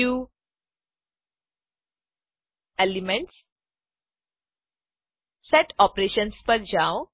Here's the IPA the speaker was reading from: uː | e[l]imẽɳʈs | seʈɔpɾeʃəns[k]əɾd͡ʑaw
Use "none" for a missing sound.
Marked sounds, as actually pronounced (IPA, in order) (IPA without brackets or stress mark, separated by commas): l, p